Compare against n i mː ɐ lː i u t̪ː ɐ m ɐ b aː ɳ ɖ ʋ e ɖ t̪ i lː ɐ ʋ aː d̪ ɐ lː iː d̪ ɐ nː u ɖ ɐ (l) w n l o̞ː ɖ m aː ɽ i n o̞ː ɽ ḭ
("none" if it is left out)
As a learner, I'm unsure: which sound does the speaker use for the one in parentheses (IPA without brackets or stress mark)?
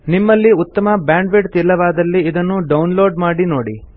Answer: none